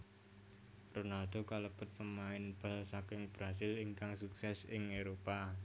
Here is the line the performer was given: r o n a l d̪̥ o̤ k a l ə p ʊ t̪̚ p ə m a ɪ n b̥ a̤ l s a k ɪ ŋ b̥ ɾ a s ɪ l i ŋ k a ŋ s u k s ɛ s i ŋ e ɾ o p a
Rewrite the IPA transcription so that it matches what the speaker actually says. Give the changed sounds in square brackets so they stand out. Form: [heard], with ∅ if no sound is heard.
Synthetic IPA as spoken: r o n a l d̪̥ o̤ k a l ə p ʊ t̪̚ p ə m a ɪ n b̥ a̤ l s a k ɪ ŋ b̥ ɾ a s ɪ l i ŋ k a ŋ s u k s ɛ s [ɪ] ŋ e ɾ o p a